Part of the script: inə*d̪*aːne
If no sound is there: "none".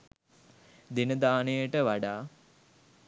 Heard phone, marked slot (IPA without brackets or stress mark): d̪